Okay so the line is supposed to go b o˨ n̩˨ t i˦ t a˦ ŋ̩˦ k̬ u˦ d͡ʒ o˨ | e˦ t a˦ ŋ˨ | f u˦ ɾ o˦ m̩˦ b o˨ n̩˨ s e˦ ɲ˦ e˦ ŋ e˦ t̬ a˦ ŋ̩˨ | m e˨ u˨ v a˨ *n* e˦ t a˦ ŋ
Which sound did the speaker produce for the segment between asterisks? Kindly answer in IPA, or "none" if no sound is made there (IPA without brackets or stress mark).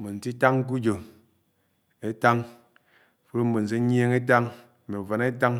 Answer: n